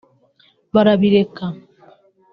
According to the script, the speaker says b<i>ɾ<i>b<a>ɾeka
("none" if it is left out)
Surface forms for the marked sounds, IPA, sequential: a, a, i

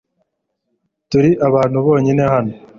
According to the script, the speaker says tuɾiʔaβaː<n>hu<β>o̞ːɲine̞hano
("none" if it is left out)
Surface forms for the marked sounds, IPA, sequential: n, β

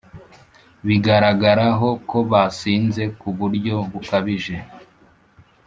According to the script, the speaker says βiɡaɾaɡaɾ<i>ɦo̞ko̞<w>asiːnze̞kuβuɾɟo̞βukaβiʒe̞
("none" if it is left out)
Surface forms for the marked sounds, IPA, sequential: a, β

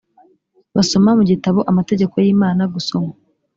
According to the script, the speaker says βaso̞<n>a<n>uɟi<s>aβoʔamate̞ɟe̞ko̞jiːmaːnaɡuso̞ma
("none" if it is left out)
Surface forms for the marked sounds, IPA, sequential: m, m, t

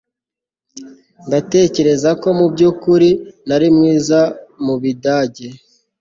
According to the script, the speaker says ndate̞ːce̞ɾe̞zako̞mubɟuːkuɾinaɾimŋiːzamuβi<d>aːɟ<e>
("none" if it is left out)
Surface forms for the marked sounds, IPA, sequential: d, e

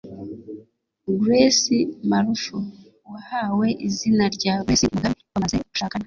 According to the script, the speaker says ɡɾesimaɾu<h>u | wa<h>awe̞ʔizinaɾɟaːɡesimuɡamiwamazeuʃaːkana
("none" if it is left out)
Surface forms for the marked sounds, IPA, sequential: f, h

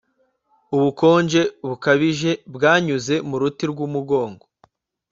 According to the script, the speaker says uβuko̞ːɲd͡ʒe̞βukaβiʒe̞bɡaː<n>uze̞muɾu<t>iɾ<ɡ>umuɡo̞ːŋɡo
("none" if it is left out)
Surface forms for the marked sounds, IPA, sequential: ɲ, t, ɡ

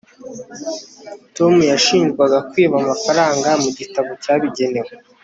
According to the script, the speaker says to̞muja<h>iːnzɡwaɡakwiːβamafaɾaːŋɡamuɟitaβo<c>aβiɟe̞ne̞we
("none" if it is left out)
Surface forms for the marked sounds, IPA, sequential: ʃ, c

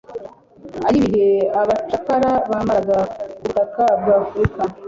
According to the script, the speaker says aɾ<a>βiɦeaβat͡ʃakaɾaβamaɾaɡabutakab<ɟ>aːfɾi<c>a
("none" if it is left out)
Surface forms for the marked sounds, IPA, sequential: i, ɡ, k

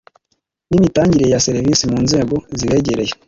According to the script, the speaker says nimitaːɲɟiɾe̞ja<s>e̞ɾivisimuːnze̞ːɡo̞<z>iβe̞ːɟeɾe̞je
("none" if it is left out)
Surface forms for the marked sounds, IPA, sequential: s, z

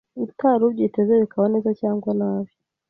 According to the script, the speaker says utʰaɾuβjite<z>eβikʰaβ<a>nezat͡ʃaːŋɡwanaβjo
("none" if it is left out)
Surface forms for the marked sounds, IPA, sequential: z, a

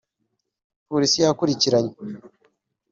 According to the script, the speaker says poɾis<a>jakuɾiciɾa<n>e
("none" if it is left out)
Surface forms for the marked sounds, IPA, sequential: i, ɲ

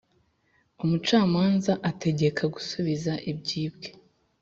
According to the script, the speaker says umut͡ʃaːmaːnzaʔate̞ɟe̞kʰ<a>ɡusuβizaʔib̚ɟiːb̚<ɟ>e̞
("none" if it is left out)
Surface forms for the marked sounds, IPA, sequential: a, ɡ

